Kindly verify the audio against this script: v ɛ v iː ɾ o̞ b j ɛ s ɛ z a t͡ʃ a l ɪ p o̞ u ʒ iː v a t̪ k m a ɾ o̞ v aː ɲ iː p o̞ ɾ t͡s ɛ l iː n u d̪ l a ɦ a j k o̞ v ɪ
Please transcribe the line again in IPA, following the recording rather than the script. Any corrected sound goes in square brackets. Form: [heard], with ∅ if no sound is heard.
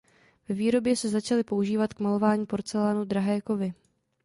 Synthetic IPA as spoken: v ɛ v iː ɾ o̞ b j ɛ s ɛ z a t͡ʃ a l ɪ p o̞ u ʒ iː v a t̪ k m a [l] o̞ v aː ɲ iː p o̞ ɾ t͡s ɛ l [aː] n u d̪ [ɾ] a ɦ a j k o̞ v ɪ